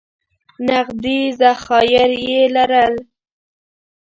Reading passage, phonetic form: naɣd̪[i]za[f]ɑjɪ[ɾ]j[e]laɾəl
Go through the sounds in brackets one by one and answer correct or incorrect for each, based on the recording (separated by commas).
correct, incorrect, correct, correct